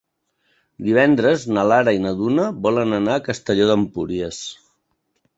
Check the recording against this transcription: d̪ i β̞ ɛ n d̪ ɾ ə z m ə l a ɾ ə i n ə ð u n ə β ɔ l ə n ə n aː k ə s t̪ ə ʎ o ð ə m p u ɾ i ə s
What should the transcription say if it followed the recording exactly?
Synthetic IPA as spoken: d̪ i β̞ ɛ n d̪ ɾ ə z n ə l a ɾ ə i n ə ð u n ə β ɔ l ə n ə n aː k ə s t̪ ə ʎ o ð ə m p u ɾ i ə s